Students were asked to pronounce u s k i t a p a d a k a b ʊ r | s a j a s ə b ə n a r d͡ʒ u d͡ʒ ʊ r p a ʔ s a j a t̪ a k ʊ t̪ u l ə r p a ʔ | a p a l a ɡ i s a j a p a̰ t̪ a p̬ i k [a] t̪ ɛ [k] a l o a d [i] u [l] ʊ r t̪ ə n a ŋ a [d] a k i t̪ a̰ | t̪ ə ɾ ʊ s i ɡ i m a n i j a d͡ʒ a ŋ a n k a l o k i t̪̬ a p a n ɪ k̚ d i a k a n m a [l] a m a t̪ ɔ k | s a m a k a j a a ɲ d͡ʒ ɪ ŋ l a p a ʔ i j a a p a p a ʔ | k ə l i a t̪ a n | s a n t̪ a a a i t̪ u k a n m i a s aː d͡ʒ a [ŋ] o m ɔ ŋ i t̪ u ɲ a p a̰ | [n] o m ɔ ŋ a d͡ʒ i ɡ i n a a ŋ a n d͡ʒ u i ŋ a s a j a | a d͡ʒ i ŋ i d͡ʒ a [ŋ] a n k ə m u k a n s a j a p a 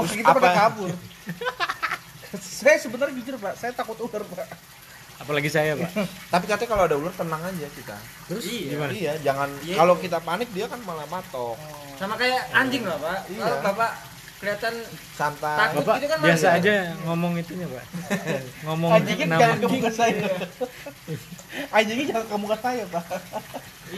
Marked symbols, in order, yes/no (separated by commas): yes, yes, no, yes, no, yes, yes, no, yes